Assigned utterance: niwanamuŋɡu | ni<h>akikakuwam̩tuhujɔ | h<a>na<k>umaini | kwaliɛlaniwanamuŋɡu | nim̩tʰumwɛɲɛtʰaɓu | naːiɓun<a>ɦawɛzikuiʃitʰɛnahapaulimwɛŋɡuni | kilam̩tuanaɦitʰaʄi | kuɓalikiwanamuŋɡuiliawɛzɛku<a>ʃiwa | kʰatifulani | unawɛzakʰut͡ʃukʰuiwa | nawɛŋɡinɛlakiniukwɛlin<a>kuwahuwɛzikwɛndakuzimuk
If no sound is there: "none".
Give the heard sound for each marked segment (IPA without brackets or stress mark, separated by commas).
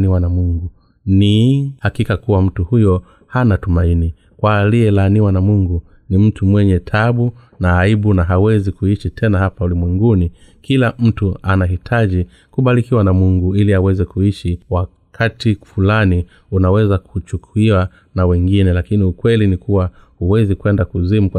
h, a, t, a, i, i